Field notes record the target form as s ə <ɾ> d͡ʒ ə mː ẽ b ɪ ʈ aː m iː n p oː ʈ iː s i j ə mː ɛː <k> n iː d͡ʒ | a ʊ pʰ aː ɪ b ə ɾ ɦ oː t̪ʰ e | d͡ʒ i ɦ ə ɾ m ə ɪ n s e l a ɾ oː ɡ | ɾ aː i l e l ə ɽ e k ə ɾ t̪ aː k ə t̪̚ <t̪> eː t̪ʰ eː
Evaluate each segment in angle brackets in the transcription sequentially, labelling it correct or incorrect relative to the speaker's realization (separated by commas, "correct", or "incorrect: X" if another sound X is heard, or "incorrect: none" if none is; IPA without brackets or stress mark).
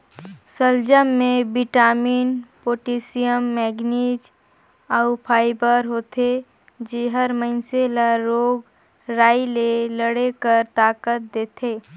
incorrect: l, incorrect: ɡ, incorrect: d̪